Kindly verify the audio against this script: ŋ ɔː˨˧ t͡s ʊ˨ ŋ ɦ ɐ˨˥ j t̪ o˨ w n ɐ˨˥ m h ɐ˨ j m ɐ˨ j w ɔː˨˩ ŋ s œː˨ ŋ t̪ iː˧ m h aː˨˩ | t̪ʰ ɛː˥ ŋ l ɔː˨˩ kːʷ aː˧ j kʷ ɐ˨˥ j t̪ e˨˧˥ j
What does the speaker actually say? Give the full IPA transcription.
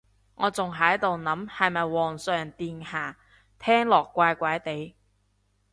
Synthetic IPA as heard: ŋ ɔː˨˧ t͡s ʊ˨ ŋ ɦ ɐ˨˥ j t̪ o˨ w n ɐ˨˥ m h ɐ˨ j m ɐ˨ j w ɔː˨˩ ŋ s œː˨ ŋ t̪ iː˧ n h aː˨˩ | t̪ʰ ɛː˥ ŋ l ɔː˨˩ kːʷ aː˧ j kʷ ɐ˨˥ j t̪ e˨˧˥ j